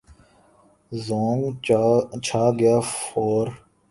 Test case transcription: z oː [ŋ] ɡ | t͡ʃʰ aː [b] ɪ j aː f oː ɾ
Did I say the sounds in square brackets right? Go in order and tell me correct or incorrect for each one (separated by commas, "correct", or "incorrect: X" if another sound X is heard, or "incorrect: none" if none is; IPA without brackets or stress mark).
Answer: correct, incorrect: ɡ